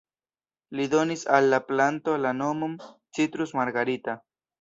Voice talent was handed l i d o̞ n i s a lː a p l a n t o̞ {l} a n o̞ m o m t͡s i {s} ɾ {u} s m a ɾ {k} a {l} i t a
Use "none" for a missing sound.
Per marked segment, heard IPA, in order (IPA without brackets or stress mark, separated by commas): l, t, u, ɡ, ɾ